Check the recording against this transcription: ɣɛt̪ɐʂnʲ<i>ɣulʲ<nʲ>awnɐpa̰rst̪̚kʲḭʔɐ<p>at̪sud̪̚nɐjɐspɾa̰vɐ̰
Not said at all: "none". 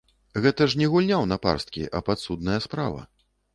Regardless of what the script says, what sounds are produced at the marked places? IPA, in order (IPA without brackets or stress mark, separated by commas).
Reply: ɛ, nʲ, p